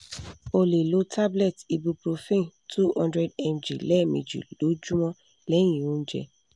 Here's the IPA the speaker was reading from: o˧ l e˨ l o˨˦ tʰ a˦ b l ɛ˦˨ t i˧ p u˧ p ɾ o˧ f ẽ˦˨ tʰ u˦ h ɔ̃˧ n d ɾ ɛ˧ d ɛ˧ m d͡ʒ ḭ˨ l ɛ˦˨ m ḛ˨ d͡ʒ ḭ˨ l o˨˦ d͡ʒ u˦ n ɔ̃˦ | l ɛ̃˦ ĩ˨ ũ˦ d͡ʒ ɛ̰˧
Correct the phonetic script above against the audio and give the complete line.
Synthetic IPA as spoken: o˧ l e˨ l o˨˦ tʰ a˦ b l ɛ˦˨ t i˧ b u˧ p ɾ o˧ f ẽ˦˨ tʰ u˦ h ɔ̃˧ n d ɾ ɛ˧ d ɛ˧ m d͡ʒ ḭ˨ l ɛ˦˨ m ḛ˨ d͡ʒ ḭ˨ l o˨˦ d͡ʒ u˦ m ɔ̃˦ | l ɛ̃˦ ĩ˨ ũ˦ d͡ʒ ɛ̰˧